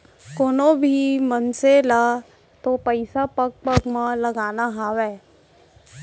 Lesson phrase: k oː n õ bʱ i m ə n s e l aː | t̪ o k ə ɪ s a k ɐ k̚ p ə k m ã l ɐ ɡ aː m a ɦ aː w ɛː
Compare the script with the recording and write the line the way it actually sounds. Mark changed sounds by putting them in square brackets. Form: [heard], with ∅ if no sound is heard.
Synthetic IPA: k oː n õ bʱ i m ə n s e l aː | t̪ o [p] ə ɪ s a [p] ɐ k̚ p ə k m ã l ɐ ɡ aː [n] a ɦ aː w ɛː